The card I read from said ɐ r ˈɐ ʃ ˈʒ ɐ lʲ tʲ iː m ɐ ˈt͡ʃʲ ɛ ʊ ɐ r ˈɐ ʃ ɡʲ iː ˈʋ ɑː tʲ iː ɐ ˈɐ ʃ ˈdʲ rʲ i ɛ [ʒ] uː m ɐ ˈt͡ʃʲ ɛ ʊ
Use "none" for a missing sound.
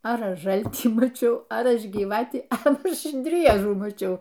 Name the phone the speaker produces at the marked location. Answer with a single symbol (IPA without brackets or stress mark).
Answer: ʒ